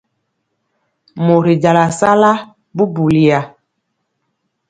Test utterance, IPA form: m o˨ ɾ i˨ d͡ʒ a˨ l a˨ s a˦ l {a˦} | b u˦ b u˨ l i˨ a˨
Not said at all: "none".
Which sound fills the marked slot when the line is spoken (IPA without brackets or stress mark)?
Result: a˦